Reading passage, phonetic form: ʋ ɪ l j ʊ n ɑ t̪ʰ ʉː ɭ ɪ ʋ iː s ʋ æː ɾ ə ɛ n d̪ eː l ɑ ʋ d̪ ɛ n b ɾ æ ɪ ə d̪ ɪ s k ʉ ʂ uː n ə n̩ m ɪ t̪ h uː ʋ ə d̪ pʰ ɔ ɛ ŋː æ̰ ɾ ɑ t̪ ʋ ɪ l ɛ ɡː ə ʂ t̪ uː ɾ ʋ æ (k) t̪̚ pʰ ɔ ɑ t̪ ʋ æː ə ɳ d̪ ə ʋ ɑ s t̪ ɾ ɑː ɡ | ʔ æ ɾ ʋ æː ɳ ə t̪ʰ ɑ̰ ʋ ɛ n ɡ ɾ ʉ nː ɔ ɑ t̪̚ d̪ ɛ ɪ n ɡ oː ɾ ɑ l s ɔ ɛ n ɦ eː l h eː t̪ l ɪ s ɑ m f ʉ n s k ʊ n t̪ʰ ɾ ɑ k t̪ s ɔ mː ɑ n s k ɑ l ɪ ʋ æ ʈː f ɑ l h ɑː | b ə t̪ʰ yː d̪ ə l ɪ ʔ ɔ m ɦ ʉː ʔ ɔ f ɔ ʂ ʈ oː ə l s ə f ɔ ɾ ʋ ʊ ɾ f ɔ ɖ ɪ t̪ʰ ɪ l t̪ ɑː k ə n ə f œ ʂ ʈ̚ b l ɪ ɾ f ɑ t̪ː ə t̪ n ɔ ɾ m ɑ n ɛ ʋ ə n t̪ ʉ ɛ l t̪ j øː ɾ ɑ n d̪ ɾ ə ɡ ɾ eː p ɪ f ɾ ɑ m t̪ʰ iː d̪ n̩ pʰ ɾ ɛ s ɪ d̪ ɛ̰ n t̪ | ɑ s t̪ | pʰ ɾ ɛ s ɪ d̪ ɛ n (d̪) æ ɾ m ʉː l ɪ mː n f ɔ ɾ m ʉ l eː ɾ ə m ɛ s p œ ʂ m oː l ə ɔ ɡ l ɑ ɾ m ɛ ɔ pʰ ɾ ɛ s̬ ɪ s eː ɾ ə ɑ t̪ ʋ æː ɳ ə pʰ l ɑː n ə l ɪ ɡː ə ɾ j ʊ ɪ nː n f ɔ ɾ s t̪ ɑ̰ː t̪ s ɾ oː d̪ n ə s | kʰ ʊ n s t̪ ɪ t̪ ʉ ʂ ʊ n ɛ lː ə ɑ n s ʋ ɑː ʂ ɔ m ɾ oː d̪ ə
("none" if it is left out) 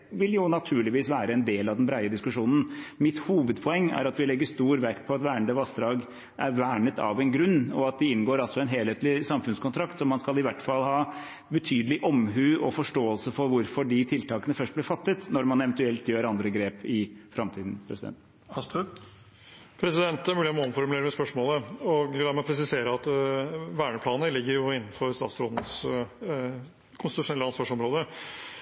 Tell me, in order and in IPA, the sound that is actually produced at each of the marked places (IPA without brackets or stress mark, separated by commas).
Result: k, t̪